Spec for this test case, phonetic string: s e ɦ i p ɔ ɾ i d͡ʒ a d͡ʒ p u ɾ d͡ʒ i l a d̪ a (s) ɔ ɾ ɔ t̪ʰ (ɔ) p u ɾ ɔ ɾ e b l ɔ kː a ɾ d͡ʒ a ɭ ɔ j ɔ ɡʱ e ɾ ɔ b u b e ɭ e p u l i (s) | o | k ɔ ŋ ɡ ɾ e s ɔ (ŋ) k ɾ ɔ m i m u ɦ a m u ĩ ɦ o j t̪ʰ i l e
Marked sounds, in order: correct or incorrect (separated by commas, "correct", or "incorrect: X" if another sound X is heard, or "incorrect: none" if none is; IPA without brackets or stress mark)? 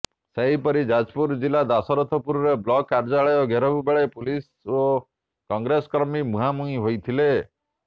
correct, correct, correct, incorrect: none